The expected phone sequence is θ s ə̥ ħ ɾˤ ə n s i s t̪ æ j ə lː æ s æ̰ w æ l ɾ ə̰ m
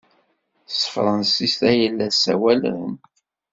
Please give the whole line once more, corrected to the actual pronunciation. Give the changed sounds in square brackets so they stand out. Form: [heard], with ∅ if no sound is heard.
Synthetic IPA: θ s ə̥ [f] ɾˤ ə n s i s t̪ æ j ə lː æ s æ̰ w æ l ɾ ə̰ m